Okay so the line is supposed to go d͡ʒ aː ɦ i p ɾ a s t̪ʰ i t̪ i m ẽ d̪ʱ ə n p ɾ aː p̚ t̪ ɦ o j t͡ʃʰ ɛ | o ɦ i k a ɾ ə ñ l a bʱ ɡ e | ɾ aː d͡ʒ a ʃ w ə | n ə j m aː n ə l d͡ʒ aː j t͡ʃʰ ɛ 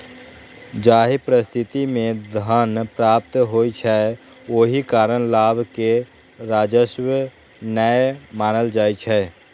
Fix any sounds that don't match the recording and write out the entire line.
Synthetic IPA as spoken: d͡ʒ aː ɦ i p ɾ ə s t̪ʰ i t̪ i m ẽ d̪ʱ ə n p ɾ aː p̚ t̪ ɦ o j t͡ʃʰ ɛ | o ɦ i k a ɾ ə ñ l a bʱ k e | ɾ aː d͡ʒ ə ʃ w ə | n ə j m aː n ə l d͡ʒ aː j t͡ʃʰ ɛ